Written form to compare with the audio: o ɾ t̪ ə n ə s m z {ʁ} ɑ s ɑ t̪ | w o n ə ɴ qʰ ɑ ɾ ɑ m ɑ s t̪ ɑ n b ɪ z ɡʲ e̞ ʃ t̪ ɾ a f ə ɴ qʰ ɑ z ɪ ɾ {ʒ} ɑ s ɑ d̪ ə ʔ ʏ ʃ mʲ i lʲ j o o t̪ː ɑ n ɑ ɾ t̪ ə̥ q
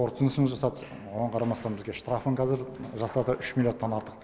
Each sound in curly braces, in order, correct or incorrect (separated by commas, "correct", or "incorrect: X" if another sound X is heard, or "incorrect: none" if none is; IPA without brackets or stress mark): incorrect: ʒ, correct